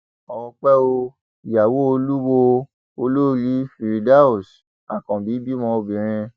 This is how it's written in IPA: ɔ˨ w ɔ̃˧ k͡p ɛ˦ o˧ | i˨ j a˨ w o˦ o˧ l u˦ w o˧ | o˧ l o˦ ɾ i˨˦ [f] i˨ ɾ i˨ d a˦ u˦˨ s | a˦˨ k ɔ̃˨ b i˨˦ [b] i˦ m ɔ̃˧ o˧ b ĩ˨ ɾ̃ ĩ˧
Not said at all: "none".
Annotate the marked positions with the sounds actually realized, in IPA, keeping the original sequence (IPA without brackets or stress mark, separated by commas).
f, b